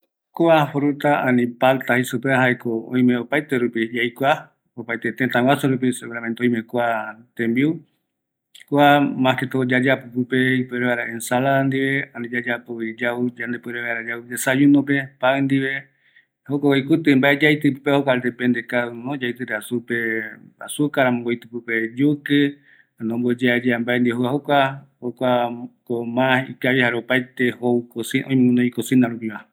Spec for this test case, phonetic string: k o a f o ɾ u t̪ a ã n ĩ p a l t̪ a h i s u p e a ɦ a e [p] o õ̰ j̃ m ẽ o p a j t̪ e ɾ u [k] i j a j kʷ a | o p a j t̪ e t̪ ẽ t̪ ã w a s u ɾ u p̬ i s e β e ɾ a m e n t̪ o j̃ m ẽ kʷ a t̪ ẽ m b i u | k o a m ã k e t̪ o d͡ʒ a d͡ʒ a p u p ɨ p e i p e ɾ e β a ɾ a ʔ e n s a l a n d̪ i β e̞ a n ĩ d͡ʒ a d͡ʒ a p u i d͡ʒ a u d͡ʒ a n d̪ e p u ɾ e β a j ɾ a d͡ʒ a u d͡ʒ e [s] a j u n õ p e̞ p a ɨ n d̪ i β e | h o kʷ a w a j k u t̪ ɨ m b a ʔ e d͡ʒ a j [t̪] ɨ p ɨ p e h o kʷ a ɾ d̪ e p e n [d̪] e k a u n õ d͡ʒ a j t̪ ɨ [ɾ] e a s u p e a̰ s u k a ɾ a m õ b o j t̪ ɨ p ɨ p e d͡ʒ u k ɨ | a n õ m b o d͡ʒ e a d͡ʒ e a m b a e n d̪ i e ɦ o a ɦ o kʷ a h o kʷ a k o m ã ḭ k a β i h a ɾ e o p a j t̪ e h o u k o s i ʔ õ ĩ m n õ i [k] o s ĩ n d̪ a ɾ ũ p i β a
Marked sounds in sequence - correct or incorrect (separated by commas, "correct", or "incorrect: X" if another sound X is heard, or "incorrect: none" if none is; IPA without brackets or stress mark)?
incorrect: k, incorrect: p, correct, correct, correct, correct, correct